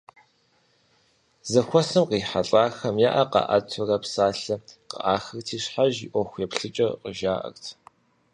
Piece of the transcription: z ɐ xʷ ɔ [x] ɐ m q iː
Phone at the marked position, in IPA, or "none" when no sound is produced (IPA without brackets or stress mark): s